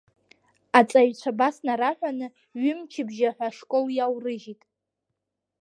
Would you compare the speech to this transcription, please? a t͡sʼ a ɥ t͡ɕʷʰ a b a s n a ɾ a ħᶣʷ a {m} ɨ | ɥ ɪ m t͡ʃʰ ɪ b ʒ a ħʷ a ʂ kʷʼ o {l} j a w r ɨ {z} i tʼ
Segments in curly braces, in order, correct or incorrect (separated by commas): incorrect, correct, incorrect